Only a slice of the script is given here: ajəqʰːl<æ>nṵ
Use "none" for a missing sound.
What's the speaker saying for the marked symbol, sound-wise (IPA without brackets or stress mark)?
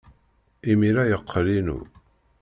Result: i